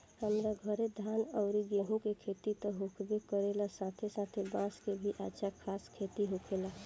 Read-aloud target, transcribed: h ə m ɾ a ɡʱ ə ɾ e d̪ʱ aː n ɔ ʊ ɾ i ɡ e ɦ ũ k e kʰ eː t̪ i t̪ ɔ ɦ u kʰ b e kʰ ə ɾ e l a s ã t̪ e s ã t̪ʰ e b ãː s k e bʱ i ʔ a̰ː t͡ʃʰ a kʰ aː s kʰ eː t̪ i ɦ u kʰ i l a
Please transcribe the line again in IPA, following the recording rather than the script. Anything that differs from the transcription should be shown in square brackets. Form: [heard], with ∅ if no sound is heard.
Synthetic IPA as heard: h ə m ɾ a ɡʱ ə ɾ e d̪ʱ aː n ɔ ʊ ɾ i ɡ e ɦ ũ k e kʰ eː t̪ i t̪ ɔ ɦ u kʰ b e [k] ə ɾ e l a s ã [t̪ʰ] e s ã t̪ʰ e b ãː s k e bʱ i ʔ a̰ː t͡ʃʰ a kʰ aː s kʰ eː t̪ i ɦ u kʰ [e] l a

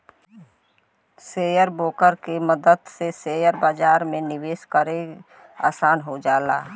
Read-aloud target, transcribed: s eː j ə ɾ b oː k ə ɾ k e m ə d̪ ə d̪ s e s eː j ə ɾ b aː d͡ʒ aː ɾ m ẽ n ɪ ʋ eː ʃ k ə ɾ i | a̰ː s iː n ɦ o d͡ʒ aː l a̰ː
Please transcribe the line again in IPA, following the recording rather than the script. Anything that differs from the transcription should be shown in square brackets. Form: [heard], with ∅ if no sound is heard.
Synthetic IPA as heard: s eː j ə ɾ b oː k ə ɾ k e m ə d̪ ə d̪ s e s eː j ə ɾ b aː d͡ʒ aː ɾ m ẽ n ɪ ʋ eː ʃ k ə ɾ [e] | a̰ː s [aː] n ɦ o d͡ʒ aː l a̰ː

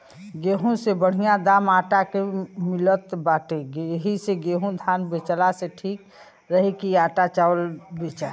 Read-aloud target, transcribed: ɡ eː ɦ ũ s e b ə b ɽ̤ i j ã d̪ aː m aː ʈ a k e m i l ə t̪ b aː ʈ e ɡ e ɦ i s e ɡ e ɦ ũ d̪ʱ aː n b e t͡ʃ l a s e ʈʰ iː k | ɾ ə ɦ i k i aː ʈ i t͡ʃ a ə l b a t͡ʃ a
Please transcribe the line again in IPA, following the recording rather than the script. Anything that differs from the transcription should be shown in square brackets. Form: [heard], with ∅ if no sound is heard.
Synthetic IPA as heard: ɡ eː ɦ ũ s e b ə [∅] ɽ̤ i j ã d̪ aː m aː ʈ a k e m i l ə t̪ b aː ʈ e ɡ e ɦ i s e ɡ e ɦ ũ d̪ʱ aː n b e t͡ʃ l a s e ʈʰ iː k | ɾ ə ɦ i k i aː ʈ [a] t͡ʃ a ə l b [e] t͡ʃ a

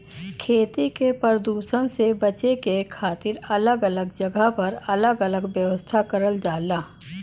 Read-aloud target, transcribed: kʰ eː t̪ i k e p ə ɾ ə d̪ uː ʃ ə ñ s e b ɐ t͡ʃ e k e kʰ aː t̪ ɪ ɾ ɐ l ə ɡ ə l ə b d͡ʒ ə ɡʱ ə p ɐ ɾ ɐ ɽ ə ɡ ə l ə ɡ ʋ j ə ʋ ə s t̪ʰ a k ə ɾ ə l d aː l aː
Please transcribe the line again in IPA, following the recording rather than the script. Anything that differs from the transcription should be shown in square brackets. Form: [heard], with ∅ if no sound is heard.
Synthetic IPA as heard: kʰ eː t̪ i k e p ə ɾ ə d̪ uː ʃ ə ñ s e b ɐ t͡ʃ e k e kʰ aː t̪ ɪ ɾ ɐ l ə ɡ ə l ə [ɡ] d͡ʒ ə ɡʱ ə p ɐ ɾ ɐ [l] ə ɡ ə l ə ɡ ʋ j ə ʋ ə s t̪ʰ a k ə ɾ ə l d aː l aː

